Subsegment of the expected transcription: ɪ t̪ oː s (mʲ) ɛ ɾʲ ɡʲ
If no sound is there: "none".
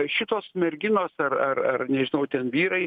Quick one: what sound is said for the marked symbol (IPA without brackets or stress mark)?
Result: mʲ